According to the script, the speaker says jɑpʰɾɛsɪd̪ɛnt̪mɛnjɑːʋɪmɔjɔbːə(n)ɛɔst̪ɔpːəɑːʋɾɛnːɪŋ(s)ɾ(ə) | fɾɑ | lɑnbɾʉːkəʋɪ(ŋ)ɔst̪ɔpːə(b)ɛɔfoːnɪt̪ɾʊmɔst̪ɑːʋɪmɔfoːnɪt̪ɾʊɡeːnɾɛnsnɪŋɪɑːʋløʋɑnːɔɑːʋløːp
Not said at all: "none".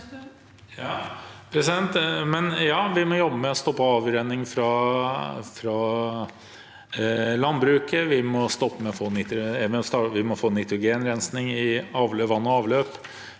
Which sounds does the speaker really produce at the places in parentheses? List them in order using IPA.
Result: m, f, ɑ, m, m

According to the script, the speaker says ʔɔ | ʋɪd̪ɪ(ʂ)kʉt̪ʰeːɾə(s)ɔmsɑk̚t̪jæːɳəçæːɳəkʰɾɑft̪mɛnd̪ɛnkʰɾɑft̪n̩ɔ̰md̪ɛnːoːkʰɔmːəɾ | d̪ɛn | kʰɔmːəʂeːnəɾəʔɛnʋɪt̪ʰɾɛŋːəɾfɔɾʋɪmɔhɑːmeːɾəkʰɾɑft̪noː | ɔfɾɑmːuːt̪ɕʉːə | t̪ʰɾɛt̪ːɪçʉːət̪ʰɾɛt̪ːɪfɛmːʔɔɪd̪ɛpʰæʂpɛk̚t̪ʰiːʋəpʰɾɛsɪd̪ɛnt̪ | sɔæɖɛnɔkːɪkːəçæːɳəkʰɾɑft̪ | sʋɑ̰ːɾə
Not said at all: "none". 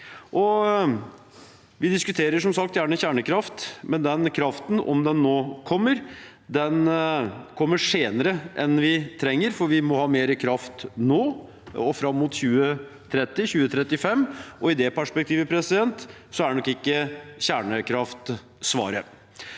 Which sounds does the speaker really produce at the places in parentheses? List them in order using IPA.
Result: s, ʂ

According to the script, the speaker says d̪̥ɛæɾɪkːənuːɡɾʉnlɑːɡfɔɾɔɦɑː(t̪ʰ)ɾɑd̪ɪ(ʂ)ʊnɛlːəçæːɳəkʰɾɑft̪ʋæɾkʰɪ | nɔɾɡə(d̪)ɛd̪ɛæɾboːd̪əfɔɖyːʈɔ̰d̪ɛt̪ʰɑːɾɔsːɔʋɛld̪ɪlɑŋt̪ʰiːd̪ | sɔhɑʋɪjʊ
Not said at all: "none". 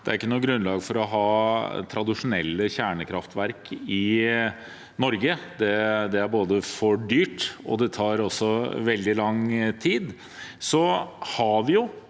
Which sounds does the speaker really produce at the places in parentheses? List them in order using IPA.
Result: t̪ʰ, ʂ, d̪

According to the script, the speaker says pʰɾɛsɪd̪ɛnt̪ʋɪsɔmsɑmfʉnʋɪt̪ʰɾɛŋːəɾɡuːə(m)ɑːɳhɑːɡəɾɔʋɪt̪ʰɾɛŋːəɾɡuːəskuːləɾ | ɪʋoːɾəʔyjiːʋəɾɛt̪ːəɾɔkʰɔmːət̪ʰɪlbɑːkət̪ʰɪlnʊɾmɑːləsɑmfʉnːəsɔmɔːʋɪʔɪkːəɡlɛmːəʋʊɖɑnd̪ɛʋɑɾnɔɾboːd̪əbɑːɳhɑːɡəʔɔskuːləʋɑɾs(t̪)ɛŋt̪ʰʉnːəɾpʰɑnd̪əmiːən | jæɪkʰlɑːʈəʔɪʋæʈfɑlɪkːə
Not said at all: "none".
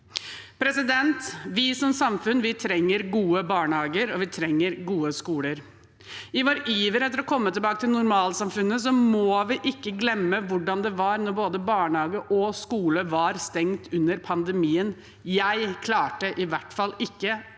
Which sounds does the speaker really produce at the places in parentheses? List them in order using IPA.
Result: b, t̪

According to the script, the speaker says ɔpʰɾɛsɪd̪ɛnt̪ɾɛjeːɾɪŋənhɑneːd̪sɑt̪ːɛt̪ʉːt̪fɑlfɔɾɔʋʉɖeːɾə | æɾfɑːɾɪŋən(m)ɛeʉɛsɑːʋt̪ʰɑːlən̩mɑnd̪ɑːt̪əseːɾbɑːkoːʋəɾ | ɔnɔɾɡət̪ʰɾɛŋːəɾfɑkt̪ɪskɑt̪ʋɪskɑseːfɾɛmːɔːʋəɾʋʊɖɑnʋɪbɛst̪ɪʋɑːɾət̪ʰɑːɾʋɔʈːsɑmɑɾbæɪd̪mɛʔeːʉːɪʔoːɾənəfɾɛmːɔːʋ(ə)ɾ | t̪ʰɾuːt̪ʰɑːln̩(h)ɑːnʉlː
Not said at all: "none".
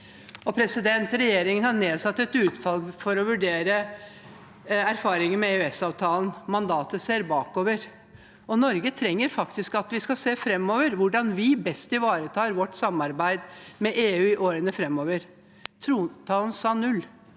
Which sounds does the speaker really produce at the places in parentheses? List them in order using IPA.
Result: m, ə, s

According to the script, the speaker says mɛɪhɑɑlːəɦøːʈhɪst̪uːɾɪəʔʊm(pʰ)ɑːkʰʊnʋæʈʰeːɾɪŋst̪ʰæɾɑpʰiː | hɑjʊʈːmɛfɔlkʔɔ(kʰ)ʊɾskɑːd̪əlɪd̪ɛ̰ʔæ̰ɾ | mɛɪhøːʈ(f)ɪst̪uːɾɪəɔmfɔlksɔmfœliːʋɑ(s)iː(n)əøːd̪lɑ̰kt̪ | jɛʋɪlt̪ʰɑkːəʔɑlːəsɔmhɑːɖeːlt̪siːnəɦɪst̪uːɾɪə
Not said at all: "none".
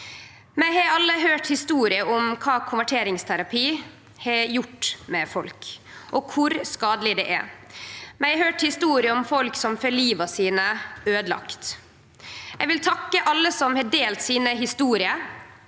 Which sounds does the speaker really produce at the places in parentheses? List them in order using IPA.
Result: kʰ, kʰ, h, s, n

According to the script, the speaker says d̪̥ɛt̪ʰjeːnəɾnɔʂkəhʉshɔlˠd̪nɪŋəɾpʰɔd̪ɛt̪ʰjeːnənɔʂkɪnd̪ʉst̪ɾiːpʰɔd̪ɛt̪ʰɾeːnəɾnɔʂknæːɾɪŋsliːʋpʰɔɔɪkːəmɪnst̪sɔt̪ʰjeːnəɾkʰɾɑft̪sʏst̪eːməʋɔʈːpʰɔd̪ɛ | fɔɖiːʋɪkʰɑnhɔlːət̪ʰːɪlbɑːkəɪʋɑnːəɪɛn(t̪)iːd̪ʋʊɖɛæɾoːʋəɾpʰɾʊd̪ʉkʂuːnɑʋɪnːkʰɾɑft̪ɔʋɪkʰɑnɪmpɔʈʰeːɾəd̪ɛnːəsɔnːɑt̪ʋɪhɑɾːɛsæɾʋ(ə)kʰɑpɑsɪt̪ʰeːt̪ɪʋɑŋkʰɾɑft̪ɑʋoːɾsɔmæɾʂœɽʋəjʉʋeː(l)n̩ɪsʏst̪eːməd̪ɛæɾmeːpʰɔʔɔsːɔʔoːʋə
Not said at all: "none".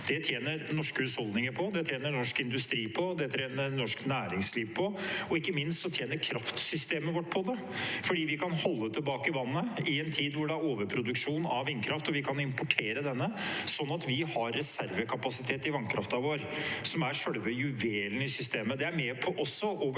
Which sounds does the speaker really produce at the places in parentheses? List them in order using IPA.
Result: t̪ʰ, ə, l

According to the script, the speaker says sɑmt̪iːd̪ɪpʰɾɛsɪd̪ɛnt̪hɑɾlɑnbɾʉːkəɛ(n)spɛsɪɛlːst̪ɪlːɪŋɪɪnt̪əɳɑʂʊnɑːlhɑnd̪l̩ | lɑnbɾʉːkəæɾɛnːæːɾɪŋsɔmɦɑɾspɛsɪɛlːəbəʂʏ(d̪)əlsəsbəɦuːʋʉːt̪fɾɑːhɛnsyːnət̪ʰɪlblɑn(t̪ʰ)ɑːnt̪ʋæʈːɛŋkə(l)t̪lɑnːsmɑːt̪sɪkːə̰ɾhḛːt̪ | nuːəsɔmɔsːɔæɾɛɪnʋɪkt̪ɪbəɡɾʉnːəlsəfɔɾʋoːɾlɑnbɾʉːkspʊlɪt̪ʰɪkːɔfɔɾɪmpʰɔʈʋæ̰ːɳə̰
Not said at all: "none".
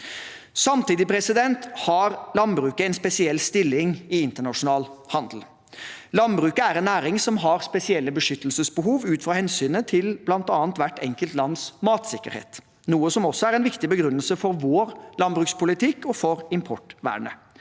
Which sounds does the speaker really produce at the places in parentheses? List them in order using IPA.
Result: n, t̪, t̪, l

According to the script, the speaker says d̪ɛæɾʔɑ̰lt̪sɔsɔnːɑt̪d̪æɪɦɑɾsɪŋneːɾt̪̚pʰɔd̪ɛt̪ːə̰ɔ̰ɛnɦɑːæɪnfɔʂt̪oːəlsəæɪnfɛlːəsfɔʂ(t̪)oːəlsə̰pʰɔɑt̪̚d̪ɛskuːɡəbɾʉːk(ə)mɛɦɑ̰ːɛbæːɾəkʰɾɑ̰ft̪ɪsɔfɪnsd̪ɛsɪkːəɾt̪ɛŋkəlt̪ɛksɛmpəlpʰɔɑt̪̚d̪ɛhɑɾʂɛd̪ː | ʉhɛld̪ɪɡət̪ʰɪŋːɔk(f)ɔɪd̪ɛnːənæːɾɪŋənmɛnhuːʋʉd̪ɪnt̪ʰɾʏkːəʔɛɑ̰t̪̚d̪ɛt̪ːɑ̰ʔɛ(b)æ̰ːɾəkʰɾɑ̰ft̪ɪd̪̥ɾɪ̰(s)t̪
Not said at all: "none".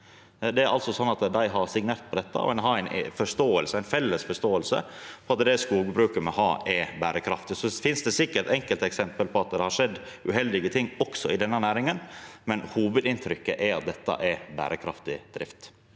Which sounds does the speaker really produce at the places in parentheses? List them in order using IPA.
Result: t̪, ə, s, b, f

